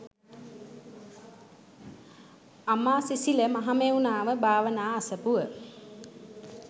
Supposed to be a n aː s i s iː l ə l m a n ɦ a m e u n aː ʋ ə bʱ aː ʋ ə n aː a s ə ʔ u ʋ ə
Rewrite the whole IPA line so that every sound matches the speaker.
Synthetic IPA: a m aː s i s i l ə m a ɦ a m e u n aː ʋ ə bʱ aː ʋ ə n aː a s ə p u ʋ ə